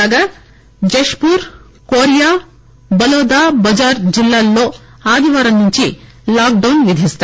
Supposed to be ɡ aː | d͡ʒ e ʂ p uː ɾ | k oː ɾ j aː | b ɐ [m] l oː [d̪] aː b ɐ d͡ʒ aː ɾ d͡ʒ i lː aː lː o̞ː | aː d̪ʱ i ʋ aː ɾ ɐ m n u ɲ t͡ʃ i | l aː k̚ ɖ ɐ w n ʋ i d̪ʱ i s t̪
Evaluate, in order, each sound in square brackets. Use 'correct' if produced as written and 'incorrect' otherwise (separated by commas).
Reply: incorrect, correct